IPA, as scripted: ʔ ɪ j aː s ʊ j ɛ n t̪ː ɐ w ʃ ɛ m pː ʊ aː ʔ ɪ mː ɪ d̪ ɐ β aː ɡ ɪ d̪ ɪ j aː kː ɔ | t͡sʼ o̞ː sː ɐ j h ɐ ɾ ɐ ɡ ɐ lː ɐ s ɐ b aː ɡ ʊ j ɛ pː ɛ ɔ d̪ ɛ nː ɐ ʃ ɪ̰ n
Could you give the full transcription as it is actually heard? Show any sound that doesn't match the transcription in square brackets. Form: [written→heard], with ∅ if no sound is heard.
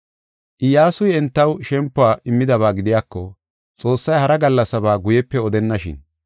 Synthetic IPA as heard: ʔ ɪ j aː s ʊ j ɛ n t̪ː ɐ w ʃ ɛ m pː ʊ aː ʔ ɪ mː ɪ d̪ ɐ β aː ɡ ɪ d̪ ɪ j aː kː ɔ | t͡sʼ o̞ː sː ɐ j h ɐ ɾ ɐ ɡ ɐ lː ɐ s ɐ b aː ɡ ʊ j ɛ pː ɛ ɔ d̪ ɛ nː ɐ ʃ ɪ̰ n